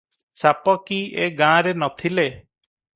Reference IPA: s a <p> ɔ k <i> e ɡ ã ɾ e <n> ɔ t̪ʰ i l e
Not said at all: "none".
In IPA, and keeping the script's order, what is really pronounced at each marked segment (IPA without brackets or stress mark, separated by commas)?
p, i, n